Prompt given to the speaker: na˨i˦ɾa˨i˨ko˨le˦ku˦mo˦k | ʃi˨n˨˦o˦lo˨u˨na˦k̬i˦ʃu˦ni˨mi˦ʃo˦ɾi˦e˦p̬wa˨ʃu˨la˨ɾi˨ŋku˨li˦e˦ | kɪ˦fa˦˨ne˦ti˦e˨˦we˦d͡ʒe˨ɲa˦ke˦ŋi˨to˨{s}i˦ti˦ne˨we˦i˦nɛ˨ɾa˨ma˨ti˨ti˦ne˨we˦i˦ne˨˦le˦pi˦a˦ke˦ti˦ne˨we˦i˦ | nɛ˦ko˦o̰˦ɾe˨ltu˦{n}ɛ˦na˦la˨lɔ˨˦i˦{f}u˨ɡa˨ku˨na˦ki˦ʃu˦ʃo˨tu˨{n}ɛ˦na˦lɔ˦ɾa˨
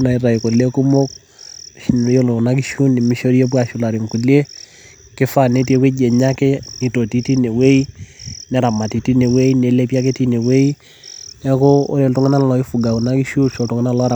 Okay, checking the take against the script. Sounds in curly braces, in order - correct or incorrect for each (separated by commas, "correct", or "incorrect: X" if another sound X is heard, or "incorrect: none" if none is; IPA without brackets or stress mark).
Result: incorrect: t, incorrect: ŋ, correct, incorrect: ŋ